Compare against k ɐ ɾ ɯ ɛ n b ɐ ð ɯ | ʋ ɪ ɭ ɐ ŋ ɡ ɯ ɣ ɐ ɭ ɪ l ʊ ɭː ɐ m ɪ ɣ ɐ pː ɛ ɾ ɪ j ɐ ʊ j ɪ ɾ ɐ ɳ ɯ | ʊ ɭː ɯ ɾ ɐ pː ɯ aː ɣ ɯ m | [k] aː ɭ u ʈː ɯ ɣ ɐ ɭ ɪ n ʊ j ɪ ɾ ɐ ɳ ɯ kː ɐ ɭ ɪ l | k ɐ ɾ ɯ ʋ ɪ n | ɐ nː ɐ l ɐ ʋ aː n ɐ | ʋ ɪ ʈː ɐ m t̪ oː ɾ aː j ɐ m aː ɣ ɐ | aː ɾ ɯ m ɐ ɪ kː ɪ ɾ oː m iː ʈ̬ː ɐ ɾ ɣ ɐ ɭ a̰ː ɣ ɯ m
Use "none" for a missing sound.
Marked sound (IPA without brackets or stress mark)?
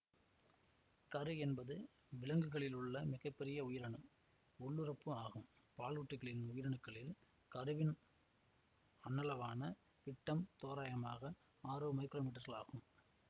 p